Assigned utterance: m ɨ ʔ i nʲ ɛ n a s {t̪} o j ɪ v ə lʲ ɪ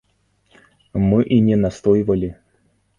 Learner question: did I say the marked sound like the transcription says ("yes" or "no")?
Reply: yes